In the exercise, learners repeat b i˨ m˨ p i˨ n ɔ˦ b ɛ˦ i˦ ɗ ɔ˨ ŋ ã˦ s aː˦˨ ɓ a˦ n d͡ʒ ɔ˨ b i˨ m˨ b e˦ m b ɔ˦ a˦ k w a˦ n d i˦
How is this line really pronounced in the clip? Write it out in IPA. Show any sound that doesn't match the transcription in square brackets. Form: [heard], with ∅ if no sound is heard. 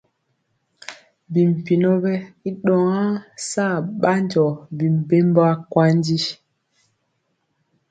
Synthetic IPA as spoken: b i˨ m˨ p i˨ n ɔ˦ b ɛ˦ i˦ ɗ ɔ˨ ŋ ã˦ s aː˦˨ ɓ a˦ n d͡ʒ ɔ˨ b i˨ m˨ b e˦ m b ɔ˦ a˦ k w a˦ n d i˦